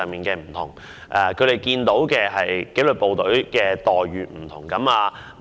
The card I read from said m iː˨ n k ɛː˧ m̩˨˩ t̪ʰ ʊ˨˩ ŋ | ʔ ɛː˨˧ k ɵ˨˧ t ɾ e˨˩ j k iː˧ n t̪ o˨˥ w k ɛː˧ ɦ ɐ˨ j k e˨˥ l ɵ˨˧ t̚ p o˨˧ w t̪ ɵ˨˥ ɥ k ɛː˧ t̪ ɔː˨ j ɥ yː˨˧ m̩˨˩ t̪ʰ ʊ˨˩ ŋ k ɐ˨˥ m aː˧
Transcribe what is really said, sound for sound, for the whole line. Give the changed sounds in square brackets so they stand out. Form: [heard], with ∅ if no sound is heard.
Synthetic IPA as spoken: m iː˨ n k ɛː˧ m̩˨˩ t̪ʰ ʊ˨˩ ŋ | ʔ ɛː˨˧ [kʰ] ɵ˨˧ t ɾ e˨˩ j k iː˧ n t̪ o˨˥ w k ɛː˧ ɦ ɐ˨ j k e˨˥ l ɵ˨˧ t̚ p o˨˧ w t̪ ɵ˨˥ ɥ k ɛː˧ t̪ ɔː˨ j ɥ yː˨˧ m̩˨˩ t̪ʰ ʊ˨˩ ŋ k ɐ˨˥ m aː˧